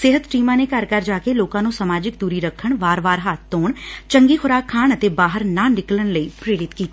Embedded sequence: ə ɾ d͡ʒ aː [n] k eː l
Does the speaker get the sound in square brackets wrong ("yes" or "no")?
yes